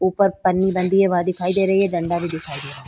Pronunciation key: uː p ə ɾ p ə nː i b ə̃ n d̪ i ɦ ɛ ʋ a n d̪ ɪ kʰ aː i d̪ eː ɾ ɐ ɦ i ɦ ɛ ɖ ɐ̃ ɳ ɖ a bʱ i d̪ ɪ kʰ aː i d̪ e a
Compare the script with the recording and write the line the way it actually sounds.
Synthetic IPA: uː p ə ɾ p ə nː i b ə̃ n d̪ i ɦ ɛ ʋ a d̪ ɪ kʰ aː i d̪ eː ɾ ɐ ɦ i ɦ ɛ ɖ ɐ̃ ɳ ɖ a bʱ i d̪ ɪ kʰ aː i d̪ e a